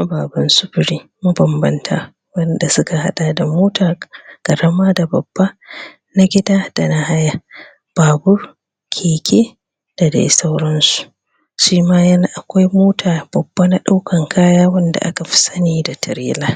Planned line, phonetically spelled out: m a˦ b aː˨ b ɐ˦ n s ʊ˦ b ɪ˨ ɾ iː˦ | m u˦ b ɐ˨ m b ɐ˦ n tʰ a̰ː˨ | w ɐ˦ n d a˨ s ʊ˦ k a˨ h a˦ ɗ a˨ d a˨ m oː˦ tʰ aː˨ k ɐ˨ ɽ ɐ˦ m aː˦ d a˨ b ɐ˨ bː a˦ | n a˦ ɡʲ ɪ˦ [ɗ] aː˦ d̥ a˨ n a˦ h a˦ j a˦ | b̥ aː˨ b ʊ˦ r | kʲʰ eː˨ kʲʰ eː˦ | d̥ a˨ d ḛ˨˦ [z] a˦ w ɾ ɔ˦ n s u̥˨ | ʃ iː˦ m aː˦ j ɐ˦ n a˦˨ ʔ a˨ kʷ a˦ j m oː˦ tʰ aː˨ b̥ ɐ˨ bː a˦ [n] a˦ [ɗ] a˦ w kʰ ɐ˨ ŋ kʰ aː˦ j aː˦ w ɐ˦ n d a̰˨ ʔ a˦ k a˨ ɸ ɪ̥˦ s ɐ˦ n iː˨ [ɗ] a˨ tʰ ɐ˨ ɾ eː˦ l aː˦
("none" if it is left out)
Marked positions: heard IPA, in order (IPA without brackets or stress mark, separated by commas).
d, s, n, ɗ, d